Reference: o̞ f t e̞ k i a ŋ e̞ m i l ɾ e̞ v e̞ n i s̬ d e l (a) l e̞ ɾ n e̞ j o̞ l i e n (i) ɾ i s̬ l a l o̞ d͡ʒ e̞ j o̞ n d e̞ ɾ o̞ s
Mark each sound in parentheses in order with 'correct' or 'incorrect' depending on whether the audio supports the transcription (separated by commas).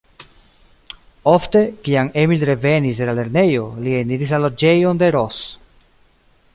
correct, correct